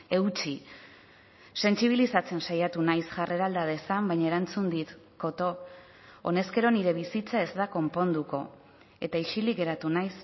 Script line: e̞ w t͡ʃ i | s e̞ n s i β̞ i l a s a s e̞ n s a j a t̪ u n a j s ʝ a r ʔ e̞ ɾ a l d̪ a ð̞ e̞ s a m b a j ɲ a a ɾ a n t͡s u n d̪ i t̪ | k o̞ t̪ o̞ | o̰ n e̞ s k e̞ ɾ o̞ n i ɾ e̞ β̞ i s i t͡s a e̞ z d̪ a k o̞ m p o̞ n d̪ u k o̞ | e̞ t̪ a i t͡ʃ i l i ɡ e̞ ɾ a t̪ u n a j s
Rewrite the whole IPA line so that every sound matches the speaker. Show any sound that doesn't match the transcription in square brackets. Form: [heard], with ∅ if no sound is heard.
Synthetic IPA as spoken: e̞ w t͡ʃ i | s e̞ n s i β̞ i l [i] s a [t͡s] e̞ n s a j a t̪ u n a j s ʝ a r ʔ e̞ ɾ a l d̪ a ð̞ e̞ s a m b a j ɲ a [e] ɾ a n t͡s u n d̪ i t̪ | k o̞ t̪ o̞ | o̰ n e̞ s k e̞ ɾ o̞ n i ɾ e̞ β̞ i s i t͡s a e̞ z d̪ a k o̞ m p o̞ n d̪ u k o̞ | e̞ t̪ a i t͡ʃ i l i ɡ e̞ ɾ a t̪ u n a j s

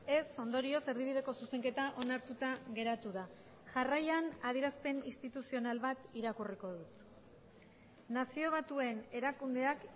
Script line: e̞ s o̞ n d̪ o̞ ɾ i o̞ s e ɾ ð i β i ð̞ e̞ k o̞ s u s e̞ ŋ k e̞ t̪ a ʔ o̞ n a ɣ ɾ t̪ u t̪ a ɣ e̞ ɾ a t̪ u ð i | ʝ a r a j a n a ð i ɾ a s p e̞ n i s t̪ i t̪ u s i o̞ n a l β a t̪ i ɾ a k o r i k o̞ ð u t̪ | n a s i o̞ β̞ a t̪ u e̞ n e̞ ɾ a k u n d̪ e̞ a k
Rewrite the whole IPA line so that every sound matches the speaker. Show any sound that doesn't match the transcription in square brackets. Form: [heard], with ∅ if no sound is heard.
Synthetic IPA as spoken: e̞ s o̞ n d̪ o̞ ɾ i o̞ s e ɾ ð i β i ð̞ e̞ k o̞ s u s e̞ ŋ k e̞ t̪ a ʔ o̞ n a [∅] ɾ t̪ u t̪ a ɣ e̞ ɾ a t̪ u ð [a] | ʝ a r a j a n a ð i ɾ a s p e̞ n i s t̪ i t̪ u s i o̞ n a l β a t̪ i ɾ a k [u] r i k o̞ ð u t̪ | n a s i o̞ β̞ a t̪ u e̞ n e̞ ɾ a k u n d̪ e̞ a k

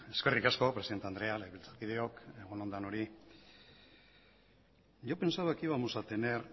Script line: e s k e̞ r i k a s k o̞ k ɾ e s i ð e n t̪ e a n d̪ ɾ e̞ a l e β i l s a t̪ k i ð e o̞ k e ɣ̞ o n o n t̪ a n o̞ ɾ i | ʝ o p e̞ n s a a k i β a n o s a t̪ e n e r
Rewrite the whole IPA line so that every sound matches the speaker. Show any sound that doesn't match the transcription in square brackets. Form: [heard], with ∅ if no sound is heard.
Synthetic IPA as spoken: e s k e̞ r i k a s k o̞ [p] ɾ e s i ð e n t̪ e a n d̪ ɾ e̞ a l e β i l [t͡s] a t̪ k i ð e o̞ k e ɣ̞ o n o n [d̪] a n o̞ ɾ i | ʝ o p e̞ n s a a k i β a [m] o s a t̪ e n e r

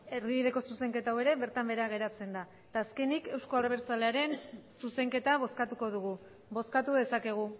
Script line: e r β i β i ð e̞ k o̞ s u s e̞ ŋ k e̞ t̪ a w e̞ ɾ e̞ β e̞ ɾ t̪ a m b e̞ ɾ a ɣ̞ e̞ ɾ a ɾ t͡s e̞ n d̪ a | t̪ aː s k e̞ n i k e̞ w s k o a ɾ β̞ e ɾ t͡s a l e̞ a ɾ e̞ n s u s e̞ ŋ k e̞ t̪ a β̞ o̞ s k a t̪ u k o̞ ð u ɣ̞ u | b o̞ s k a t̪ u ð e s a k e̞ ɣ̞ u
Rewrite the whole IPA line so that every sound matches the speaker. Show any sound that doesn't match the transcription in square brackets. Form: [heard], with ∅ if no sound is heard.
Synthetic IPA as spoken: e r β i β i ð e̞ k o̞ s u s e̞ ŋ k e̞ t̪ a w e̞ ɾ e̞ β e̞ ɾ t̪ a m b e̞ ɾ a ɣ̞ e̞ ɾ a [∅] t͡s e̞ n d̪ a | t̪ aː s k e̞ n i k e̞ w s k o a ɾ β̞ e ɾ t͡s a l e̞ a ɾ e̞ n s u s e̞ ŋ k e̞ t̪ a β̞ o̞ s k a t̪ u k o̞ ð u ɣ̞ u | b o̞ s k a t̪ u ð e s a k e̞ ɣ̞ u

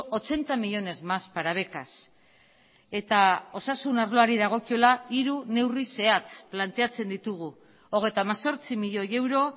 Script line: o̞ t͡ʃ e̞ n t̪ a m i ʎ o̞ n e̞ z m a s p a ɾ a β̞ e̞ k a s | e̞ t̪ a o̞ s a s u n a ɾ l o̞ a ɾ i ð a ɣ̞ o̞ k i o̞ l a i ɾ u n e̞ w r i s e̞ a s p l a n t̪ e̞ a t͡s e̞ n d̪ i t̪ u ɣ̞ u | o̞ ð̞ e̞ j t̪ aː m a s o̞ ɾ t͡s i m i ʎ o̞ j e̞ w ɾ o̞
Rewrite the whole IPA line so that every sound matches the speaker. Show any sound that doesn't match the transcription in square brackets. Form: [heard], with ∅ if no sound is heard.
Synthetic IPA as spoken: o̞ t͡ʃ e̞ n t̪ a m i ʎ o̞ n e̞ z m a s p a ɾ a β̞ e̞ k a s | e̞ t̪ a o̞ s a s u n a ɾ l o̞ a ɾ i ð a ɣ̞ o̞ k i o̞ l a i ɾ u n e̞ w r i s e̞ a [t͡s] p l a n t̪ e̞ a t͡s e̞ n d̪ i t̪ u ɣ̞ u | o̞ [ɣ̞] e̞ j t̪ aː m a s o̞ ɾ t͡s i m i ʎ o̞ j e̞ w ɾ o̞

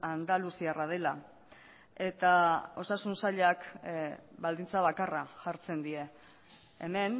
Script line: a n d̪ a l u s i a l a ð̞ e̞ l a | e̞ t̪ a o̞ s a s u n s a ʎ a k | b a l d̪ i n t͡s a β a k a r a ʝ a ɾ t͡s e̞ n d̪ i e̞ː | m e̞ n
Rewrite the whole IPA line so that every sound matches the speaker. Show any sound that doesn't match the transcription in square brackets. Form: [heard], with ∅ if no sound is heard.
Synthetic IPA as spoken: a n d̪ a l u s i a [r] a ð̞ e̞ l a | e̞ t̪ a o̞ s a s u n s a ʎ a k | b a l d̪ i n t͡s a β a k a r a ʝ a ɾ t͡s e̞ n d̪ i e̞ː | m e̞ n

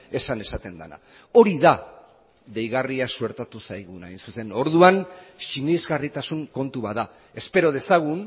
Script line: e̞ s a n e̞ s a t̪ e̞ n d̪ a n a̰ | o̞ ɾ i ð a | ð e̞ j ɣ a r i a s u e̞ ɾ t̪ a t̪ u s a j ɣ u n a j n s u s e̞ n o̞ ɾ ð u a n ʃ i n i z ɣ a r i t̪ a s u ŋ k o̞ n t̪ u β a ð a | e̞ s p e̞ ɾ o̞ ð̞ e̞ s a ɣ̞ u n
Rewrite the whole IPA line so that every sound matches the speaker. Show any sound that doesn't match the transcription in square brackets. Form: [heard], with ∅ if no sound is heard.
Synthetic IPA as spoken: e̞ s a n e̞ s a t̪ e̞ n d̪ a n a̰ | o̞ ɾ i ð a | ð e̞ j ɣ a r i a s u e̞ ɾ t̪ a t̪ u s a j ɣ u n a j n s u s e̞ n o̞ ɾ ð u a n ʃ i n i z ɣ a r i t̪ a s u ŋ k o̞ n t̪ u β a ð a | e̞ s p e̞ ɾ o̞ ð̞ e̞ s a ɣ̞ u n

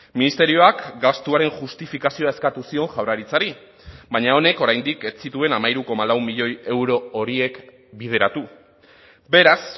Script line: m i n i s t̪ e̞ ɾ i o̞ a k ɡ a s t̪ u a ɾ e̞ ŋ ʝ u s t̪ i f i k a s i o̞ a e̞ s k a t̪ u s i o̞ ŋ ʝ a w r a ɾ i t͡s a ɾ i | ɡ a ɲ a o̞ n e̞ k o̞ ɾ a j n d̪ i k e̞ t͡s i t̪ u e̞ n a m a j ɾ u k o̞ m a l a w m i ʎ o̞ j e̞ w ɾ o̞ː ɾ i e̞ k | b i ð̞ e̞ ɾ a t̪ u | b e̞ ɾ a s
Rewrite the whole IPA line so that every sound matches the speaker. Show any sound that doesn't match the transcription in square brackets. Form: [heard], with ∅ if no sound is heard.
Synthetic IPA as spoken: m i n i s t̪ e̞ ɾ i o̞ a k ɡ a s t̪ u a ɾ e̞ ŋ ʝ u s t̪ i f i k a s i o̞ a e̞ s k a t̪ u s i o̞ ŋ ʝ a w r a ɾ i t͡s a ɾ i | [b] a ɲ a o̞ n e̞ k o̞ ɾ a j n d̪ i k e̞ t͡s i t̪ u e̞ n a m a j ɾ u k o̞ m a l a w m i ʎ o̞ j e̞ w ɾ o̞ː ɾ i e̞ k | b i ð̞ e̞ ɾ a t̪ u | b e̞ ɾ a s

